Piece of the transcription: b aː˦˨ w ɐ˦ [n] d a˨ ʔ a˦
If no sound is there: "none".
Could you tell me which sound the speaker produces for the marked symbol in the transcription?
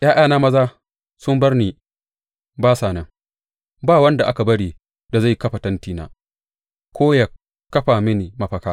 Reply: n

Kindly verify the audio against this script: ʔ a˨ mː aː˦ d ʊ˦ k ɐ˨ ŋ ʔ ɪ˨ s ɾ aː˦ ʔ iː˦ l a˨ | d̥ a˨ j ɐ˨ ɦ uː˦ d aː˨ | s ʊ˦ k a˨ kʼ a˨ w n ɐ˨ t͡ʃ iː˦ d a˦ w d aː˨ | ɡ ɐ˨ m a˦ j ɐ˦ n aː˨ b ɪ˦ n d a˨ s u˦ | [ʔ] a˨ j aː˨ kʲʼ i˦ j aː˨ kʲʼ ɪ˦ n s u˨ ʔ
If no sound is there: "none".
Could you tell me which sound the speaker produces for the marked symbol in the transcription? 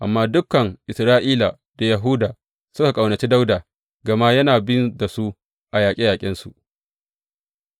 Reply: ʔ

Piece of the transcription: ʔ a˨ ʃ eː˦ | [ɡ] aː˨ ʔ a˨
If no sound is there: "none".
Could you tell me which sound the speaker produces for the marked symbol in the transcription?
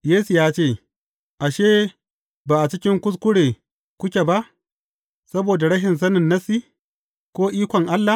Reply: b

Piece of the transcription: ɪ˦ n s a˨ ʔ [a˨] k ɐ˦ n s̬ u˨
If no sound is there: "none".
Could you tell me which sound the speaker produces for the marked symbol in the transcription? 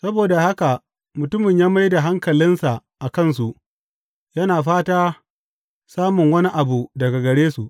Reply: a˨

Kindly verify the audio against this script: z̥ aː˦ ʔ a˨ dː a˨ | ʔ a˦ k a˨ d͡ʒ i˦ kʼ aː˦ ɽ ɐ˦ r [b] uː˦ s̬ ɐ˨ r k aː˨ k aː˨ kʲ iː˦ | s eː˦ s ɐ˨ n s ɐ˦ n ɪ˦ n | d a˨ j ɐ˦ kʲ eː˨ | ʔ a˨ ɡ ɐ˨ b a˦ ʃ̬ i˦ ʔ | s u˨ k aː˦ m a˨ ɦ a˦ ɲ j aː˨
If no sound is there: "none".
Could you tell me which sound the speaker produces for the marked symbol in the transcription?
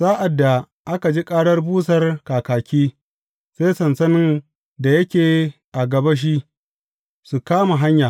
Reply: b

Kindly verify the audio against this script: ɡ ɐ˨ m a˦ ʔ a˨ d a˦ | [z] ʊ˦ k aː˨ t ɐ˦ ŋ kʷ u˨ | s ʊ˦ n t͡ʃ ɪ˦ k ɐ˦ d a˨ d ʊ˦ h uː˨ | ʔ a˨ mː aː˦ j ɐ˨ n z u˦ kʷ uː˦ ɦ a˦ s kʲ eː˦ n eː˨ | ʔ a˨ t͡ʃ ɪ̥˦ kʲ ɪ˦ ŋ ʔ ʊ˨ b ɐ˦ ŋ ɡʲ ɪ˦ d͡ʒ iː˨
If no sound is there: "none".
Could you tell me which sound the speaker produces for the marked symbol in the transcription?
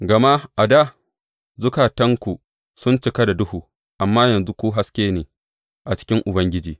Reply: z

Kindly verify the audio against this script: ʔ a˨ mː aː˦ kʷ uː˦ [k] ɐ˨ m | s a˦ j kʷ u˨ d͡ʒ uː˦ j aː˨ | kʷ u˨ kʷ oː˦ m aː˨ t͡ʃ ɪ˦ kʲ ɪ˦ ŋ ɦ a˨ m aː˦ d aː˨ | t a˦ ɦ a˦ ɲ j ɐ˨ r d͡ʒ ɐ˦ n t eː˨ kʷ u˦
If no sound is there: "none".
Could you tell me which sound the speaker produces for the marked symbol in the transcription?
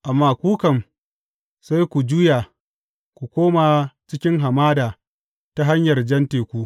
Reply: k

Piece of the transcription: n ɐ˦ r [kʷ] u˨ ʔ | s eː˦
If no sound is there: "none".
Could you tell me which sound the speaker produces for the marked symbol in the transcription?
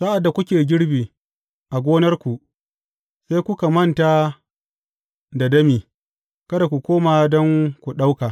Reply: kʷ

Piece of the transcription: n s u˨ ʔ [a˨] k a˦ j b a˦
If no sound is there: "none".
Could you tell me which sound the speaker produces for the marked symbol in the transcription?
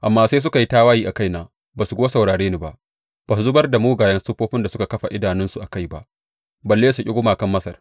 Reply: a˨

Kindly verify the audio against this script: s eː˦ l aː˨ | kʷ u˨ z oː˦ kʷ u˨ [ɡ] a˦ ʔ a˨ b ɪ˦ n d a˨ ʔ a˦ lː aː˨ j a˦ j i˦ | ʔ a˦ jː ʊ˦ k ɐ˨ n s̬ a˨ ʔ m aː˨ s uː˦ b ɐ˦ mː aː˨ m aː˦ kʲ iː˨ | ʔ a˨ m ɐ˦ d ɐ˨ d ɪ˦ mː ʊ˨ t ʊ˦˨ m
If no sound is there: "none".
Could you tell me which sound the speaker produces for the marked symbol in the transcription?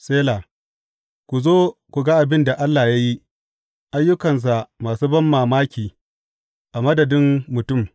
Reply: ɡ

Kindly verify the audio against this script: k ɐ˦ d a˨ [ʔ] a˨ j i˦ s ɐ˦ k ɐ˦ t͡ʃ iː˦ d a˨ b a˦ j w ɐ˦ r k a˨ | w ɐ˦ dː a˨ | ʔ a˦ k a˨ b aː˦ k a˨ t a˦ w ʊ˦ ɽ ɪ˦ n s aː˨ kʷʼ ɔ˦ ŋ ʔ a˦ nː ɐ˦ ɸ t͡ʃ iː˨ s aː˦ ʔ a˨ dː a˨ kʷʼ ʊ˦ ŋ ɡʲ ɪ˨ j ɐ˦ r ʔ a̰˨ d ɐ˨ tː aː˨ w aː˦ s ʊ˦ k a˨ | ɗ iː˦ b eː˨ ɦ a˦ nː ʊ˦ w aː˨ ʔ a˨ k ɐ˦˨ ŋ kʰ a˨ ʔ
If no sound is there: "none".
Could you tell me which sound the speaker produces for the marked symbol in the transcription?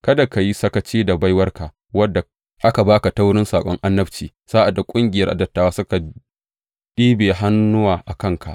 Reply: k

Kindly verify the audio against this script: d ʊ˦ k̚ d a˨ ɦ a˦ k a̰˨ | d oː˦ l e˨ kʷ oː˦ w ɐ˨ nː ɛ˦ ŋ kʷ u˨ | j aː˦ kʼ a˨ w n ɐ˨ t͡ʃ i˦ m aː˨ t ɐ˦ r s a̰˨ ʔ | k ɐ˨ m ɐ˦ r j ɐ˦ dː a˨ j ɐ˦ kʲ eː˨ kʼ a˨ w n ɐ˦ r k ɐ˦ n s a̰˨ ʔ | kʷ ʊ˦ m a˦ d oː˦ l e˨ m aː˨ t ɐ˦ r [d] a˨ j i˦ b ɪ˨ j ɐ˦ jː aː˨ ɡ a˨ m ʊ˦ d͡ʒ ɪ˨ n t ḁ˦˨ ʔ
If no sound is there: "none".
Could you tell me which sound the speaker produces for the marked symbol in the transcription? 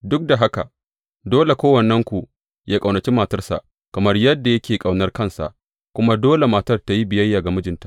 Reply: t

